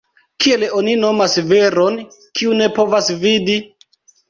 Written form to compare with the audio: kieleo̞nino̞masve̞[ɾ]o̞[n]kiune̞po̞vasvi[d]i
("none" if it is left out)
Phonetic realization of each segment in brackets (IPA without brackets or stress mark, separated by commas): ɾ, n, d